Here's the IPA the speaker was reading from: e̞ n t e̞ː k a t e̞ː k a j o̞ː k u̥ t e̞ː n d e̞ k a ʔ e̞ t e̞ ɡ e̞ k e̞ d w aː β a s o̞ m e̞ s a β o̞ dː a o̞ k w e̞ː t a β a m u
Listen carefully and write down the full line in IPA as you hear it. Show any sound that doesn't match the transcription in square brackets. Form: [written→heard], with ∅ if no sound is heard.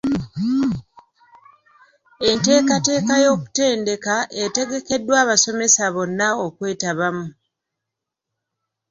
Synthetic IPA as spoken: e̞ n t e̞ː k a t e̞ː k a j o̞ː k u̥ t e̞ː n d e̞ k a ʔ e̞ t e̞ ɡ e̞ k e̞ d w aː β a s o̞ m e̞ s a β o̞ [dː→nː] a o̞ k w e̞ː t a β a m u